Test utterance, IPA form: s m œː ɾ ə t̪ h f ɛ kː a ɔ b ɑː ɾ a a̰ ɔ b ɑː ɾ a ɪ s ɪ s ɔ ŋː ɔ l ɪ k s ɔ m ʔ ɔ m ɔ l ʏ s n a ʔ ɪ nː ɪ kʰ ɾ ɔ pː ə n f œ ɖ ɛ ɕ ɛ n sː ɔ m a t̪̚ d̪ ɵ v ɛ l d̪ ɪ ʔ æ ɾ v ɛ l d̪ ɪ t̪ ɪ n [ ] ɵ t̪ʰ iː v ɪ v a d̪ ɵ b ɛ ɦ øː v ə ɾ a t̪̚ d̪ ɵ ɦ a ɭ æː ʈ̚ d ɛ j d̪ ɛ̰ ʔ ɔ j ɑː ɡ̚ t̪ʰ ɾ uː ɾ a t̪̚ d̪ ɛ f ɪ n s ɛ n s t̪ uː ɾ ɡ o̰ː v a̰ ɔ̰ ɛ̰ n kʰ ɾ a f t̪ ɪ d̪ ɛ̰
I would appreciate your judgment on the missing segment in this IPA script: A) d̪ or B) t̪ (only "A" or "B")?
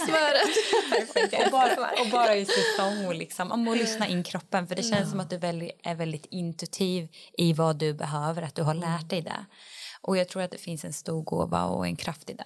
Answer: B